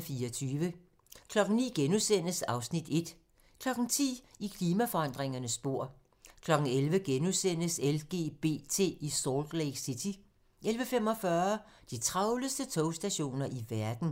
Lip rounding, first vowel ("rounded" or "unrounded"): unrounded